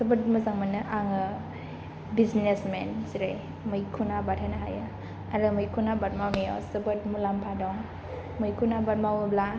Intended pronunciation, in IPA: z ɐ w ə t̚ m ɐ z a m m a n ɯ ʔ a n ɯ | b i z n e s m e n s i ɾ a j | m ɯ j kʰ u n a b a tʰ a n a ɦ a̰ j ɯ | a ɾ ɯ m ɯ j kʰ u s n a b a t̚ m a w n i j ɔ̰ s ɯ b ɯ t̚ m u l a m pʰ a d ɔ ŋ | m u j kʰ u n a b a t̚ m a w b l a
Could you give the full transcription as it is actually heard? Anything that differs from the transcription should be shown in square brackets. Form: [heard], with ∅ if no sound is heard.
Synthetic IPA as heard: [s] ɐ [b] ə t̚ m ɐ z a [ŋ] m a n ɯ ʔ a [ŋ] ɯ | b i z n e s m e n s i ɾ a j | m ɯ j kʰ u n a b a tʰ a n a ɦ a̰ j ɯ | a ɾ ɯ m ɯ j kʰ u [∅] n a b a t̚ m a w n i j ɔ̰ s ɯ b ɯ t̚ m u l a m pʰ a d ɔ ŋ | m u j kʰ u n a b a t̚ m a w b l a